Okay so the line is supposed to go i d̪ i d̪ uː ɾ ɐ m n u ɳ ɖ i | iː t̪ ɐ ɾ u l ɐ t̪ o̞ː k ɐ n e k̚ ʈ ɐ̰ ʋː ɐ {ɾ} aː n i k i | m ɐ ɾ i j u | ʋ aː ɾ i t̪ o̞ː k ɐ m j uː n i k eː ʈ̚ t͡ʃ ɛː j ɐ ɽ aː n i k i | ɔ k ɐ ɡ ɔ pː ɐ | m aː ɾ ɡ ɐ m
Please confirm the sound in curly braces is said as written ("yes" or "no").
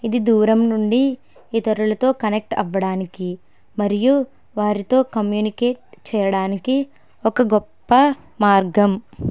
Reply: no